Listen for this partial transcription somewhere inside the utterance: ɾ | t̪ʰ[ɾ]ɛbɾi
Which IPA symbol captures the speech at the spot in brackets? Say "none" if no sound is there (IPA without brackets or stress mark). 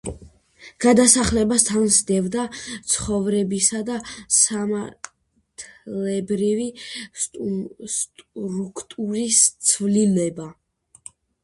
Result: l